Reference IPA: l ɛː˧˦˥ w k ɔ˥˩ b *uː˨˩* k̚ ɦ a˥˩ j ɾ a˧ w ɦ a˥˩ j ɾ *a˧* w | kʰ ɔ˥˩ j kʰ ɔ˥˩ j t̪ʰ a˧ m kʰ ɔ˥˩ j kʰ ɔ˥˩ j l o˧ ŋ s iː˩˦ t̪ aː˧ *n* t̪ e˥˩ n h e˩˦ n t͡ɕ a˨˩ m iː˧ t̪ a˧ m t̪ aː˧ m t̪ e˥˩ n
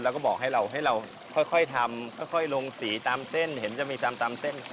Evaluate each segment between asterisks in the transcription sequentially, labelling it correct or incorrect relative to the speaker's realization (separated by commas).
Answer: incorrect, correct, incorrect